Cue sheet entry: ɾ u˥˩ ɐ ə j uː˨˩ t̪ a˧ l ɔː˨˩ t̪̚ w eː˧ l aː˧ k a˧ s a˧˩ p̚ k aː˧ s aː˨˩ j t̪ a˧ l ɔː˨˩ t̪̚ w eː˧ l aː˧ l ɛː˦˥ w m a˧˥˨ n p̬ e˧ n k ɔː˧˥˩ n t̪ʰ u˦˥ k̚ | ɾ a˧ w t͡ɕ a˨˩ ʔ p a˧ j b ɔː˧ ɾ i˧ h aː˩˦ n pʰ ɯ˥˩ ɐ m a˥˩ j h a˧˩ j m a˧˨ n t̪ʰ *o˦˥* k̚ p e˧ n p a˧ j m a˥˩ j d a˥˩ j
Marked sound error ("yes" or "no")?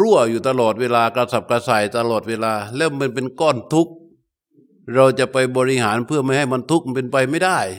yes